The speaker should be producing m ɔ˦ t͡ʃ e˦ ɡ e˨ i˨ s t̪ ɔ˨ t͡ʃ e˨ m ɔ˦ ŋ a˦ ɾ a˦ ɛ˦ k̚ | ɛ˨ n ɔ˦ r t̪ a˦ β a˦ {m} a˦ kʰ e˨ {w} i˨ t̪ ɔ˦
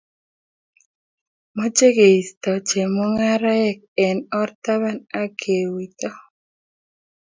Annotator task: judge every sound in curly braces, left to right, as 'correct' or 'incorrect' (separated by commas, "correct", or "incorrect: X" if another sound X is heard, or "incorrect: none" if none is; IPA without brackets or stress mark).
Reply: incorrect: n, correct